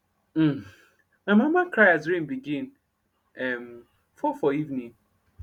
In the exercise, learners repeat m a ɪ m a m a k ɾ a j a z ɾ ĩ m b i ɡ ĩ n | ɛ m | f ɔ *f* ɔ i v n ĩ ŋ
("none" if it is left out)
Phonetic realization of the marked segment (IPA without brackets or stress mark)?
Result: f